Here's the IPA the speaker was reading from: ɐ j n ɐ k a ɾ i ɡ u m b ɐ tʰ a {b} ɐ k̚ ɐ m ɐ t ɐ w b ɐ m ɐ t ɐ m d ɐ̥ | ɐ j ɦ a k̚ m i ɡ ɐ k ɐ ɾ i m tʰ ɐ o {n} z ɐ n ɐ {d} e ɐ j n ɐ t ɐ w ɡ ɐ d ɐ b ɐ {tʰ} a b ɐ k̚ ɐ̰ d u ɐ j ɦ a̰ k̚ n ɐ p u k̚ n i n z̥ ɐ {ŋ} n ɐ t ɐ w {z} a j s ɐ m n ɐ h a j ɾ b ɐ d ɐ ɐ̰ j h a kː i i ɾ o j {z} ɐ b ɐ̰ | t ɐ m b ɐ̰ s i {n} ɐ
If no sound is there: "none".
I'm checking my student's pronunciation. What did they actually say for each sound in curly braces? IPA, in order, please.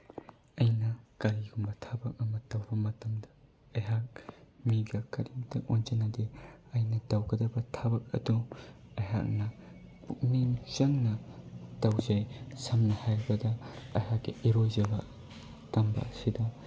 b, n, d, tʰ, ŋ, z, z, d

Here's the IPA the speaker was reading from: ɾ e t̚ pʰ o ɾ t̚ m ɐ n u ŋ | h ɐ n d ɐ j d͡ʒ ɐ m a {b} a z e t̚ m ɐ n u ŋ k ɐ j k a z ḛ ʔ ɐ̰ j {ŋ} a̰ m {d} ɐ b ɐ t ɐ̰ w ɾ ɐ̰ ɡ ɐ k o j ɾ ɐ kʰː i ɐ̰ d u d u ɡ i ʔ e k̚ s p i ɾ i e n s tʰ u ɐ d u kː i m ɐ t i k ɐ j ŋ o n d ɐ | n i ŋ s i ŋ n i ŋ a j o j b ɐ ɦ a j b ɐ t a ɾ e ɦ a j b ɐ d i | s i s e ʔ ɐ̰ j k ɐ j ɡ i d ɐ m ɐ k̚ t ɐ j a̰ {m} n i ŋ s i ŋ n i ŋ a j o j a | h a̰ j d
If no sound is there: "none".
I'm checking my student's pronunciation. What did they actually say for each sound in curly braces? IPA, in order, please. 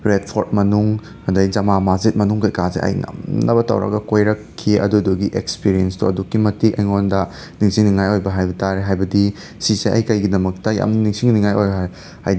m, ŋ, n, m

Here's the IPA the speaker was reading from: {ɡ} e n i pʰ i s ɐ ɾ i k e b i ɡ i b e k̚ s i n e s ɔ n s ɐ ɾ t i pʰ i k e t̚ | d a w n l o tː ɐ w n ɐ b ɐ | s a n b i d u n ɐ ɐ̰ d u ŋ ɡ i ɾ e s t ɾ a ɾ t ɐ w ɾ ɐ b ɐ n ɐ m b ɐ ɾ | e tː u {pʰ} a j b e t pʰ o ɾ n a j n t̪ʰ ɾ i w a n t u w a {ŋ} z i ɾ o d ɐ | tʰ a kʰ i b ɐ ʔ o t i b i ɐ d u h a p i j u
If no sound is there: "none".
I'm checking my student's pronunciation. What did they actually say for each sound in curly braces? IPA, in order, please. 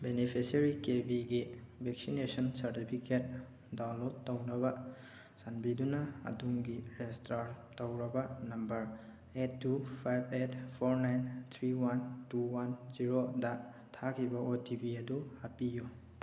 b, pʰ, n

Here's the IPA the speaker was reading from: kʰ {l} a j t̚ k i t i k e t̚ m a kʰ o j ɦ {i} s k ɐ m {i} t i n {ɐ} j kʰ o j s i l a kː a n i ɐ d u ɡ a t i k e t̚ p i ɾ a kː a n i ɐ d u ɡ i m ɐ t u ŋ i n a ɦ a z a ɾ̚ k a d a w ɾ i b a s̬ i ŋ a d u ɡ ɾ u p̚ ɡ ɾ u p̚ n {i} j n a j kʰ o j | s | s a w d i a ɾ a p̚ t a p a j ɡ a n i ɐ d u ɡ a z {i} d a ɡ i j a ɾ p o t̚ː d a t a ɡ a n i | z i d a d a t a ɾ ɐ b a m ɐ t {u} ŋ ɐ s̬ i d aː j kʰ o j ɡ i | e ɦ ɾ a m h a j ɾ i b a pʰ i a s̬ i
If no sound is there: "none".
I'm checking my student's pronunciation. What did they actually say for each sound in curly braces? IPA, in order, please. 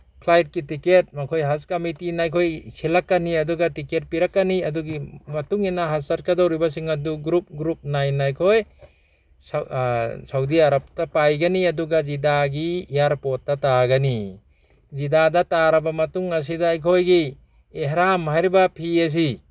l, a, i, a, a, i, u

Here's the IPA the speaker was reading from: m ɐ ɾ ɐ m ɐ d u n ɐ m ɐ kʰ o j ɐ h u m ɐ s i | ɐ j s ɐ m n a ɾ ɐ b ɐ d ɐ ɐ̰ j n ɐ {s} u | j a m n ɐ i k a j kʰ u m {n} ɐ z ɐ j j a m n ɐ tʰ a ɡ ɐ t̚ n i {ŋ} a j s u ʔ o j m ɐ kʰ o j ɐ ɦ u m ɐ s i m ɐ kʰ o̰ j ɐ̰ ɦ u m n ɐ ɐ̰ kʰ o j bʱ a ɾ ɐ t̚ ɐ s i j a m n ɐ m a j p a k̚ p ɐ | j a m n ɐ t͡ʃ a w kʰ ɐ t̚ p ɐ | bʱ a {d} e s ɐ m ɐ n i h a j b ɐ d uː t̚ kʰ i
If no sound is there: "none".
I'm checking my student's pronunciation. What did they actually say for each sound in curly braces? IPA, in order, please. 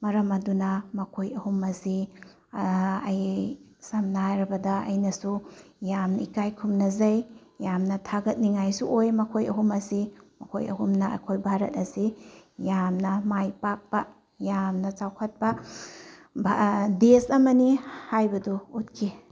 s, n, ŋ, d

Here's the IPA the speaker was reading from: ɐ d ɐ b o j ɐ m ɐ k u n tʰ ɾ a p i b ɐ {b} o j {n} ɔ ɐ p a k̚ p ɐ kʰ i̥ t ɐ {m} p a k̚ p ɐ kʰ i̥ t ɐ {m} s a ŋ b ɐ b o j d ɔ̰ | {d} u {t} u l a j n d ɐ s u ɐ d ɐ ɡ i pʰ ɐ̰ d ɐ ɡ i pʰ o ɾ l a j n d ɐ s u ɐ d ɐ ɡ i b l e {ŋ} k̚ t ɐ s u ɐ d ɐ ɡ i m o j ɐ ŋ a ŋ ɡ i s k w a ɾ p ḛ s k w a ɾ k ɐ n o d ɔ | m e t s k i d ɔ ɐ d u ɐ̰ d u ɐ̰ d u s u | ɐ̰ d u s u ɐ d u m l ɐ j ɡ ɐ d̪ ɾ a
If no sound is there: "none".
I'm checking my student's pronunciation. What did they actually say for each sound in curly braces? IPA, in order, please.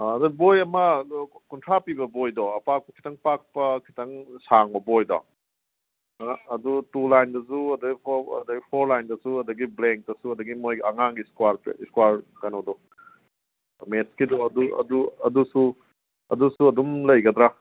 b, d, ŋ, ŋ, d, t, ŋ

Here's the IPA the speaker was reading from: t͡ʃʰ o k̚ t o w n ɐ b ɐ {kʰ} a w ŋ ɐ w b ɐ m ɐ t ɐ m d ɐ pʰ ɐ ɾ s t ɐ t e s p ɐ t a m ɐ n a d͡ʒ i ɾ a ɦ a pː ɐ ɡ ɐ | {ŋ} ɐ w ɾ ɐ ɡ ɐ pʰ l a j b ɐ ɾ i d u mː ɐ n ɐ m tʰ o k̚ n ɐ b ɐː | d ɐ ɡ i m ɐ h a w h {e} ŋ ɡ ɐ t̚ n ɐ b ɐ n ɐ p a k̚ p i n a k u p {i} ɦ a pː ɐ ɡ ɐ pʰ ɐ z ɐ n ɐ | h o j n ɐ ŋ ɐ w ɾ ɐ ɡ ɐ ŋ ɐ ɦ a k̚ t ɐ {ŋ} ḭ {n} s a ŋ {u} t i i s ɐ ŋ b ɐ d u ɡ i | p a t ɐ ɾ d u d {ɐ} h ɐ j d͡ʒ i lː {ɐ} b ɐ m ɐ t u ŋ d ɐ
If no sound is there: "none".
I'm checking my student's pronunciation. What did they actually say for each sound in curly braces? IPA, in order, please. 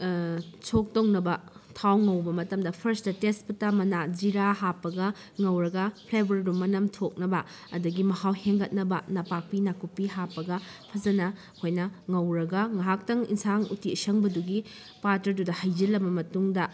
tʰ, ŋ, e, i, ŋ, n, u, ɐ, ɐ

